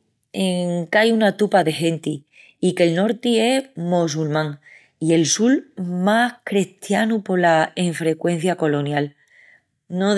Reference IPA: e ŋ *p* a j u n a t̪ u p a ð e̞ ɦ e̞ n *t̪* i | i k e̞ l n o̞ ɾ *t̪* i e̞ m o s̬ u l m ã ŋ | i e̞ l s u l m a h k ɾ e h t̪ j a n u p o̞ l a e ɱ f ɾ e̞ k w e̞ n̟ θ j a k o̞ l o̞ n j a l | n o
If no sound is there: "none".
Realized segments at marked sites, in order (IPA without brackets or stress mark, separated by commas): k, t̪, t̪